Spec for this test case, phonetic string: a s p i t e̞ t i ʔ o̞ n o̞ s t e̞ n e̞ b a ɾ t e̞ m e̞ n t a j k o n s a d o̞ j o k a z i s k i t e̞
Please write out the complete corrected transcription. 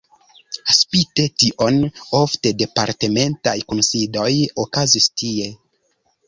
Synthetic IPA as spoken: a s p i t e̞ t i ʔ o̞ n o̞ f t e̞ d e̞ p a ɾ t e̞ m e̞ n t a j k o n s i d o̞ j o k a z i s t i e̞